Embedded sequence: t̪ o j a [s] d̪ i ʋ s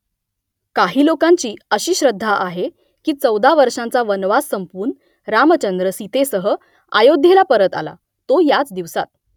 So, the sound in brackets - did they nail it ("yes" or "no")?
no